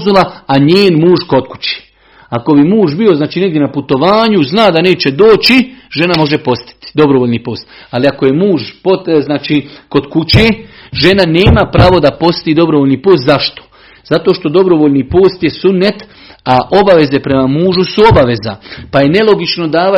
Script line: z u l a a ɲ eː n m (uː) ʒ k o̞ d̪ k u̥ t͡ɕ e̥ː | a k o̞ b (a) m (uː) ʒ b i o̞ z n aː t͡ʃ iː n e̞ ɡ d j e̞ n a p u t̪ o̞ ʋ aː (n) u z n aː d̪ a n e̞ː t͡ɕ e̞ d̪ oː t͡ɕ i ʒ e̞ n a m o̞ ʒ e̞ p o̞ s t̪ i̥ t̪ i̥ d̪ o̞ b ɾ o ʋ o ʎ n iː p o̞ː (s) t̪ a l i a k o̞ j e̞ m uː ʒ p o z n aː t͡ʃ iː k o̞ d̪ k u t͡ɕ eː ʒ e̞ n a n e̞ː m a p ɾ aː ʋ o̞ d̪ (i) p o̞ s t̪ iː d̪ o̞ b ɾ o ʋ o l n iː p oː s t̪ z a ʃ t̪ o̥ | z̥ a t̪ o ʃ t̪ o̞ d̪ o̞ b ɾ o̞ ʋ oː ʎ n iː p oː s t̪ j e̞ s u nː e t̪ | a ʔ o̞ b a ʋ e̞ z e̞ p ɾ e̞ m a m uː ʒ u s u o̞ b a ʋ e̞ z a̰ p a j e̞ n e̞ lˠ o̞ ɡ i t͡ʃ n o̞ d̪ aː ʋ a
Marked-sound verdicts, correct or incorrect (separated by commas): correct, incorrect, correct, incorrect, correct, incorrect